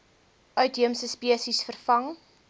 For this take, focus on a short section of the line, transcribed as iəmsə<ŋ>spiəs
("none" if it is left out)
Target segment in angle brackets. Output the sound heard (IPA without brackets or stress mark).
none